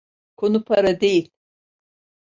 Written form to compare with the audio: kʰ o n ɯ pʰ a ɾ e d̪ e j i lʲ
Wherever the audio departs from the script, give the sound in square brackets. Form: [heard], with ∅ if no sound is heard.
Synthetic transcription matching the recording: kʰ o n [u] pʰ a ɾ [a] d̪ e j i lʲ